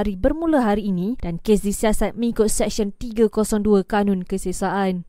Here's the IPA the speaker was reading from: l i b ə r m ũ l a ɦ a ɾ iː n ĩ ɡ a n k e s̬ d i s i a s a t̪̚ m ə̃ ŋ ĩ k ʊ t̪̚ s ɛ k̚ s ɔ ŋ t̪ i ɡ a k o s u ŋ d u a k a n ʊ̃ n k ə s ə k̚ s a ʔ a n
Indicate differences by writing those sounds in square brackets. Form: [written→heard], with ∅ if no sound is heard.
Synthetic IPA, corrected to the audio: [l→ɾ] i b ə r m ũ l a ɦ a ɾ iː n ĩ [ɡ→d] a n k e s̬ d i s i a s a t̪̚ m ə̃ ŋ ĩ k ʊ t̪̚ s ɛ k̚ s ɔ [ŋ→n] t̪ i ɡ a k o s [u→ɔ] ŋ d u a k a n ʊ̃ n k ə s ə [k̚→∅] s a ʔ a n